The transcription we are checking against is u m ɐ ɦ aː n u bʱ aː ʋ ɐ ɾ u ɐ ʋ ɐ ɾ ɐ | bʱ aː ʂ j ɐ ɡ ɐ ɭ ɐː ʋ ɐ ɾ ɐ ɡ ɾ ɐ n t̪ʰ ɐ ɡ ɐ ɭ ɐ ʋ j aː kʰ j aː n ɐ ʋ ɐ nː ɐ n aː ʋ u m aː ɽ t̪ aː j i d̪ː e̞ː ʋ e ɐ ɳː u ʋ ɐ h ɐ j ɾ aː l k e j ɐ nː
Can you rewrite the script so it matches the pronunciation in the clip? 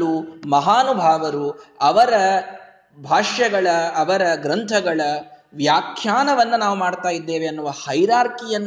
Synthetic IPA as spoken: u m ɐ ɦ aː n u bʱ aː ʋ ɐ ɾ u ɐ ʋ ɐ ɾ ɐ | bʱ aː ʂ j ɐ ɡ ɐ ɭ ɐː ʋ ɐ ɾ ɐ ɡ ɾ ɐ n t̪ʰ ɐ ɡ ɐ ɭ ɐ ʋ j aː kʰ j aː n ɐ ʋ ɐ nː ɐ n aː ʋ u m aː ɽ t̪ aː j i d̪ː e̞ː ʋ e ɐ nː u ʋ ɐ h ɐ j ɾ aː ɾ k i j ɐ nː